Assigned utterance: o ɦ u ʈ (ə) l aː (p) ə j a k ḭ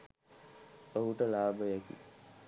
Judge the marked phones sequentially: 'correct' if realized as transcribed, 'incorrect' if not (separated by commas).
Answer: correct, incorrect